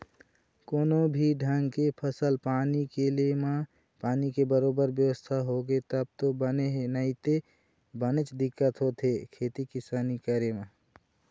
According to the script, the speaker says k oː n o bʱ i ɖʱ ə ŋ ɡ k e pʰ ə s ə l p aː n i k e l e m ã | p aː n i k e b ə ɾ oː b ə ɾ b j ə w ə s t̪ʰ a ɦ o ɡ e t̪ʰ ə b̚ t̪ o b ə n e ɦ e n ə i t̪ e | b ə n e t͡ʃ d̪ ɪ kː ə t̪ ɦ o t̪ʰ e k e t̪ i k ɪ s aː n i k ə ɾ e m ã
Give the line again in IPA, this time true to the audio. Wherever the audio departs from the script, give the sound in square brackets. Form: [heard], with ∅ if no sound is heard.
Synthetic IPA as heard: k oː n o bʱ i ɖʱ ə ŋ ɡ k e pʰ ə s ə l p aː n i k e l e m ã | p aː n i k e b ə ɾ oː b ə ɾ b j ə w ə s t̪ʰ a ɦ o ɡ e [t̪] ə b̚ t̪ o b ə n e ɦ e n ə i t̪ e | b ə n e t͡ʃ d̪ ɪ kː ə t̪ ɦ o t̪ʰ e [kʰ] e t̪ i k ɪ s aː n i k ə ɾ e m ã